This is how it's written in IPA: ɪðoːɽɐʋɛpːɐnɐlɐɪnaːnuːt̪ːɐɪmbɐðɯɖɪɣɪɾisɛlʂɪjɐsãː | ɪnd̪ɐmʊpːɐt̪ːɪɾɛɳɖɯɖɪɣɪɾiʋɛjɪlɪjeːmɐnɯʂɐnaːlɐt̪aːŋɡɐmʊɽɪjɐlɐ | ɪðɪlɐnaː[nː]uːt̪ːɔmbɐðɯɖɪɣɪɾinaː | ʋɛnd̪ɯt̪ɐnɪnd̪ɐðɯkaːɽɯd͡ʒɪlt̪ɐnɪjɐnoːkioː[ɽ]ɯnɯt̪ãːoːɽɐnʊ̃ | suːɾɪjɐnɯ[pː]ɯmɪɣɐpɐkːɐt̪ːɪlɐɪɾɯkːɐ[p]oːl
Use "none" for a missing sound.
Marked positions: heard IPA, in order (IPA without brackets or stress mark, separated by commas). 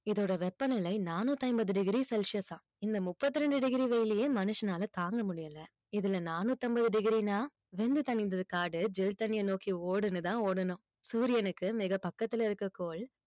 n, ɽ, kː, k